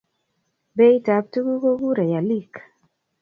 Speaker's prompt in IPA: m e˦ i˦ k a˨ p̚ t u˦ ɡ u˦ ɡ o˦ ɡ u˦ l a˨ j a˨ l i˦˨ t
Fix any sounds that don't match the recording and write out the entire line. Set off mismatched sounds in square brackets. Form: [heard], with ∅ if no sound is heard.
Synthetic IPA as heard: [b] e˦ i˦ [t] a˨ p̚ t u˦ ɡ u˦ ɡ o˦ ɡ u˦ [ɾ] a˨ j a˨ l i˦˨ [k]